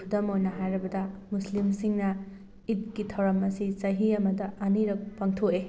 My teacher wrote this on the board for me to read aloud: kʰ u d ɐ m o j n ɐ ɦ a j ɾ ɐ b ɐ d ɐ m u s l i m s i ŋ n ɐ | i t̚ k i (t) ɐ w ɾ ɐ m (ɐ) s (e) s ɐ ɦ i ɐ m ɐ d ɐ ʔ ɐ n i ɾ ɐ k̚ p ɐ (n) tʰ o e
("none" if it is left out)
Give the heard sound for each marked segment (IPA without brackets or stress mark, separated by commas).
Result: tʰ, ɐ, i, ŋ